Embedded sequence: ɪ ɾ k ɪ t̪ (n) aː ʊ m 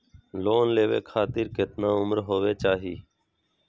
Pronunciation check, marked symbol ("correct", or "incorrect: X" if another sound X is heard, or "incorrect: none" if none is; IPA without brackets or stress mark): correct